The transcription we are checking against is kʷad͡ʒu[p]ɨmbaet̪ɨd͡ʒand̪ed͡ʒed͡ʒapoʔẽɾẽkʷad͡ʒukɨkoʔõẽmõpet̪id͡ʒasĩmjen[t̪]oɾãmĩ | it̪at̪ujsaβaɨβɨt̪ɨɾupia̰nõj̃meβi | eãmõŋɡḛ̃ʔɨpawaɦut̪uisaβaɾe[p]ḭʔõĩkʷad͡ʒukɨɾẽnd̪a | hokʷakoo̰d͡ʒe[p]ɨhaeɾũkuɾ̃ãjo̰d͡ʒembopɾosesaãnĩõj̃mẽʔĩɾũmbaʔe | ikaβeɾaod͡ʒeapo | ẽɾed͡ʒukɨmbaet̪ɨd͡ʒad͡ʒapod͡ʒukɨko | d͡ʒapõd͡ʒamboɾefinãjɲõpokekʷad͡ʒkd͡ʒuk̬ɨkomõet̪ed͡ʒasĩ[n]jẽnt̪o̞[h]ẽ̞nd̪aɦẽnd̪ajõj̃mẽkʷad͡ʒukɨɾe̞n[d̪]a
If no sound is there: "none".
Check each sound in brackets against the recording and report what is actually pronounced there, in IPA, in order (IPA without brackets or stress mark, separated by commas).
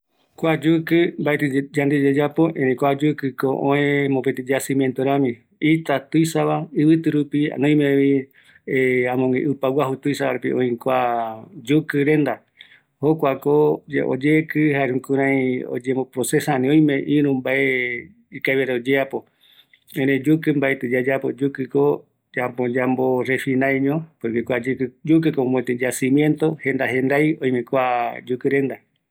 k, t̪, p, k, m, h, d̪